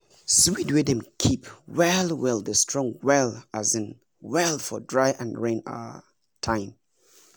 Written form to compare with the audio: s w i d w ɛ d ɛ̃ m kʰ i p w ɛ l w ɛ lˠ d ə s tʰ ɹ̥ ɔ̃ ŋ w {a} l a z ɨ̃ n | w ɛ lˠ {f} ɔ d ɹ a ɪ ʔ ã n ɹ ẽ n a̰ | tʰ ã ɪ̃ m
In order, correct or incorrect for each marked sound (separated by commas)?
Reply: incorrect, correct